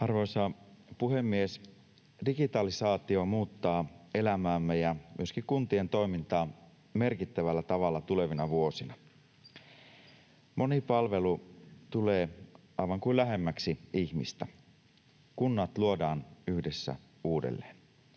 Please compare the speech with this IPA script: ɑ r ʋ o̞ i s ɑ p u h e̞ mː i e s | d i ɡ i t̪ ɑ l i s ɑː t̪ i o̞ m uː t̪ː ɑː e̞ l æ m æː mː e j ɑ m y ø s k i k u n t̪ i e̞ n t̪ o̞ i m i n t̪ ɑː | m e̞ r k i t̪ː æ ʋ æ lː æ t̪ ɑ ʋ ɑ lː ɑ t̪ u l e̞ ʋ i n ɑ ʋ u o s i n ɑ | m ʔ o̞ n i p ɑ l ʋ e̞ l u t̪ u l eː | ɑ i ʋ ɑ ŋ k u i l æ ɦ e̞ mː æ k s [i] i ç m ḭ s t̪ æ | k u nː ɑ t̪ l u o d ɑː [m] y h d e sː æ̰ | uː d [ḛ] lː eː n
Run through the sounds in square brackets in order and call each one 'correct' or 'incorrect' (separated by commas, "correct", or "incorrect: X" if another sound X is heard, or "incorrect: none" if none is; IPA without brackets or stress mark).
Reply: correct, incorrect: n, correct